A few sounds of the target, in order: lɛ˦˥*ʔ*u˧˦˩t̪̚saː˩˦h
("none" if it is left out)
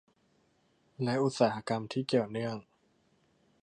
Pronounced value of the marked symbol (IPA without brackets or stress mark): ʔ